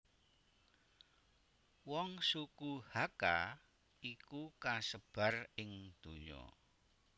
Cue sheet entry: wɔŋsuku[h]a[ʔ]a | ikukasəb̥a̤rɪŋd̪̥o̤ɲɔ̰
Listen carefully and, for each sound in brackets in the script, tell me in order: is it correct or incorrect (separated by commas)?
correct, incorrect